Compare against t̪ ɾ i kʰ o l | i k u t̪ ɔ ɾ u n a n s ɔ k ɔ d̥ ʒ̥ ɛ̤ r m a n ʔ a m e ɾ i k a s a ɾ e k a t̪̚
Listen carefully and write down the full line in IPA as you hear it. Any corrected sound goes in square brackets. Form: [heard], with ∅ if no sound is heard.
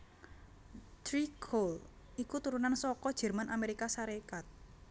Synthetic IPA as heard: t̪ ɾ i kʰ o l | i k u t̪ [u] ɾ u n a n s ɔ k ɔ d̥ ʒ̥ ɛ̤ r m a n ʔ a m e ɾ i k a s a ɾ e k a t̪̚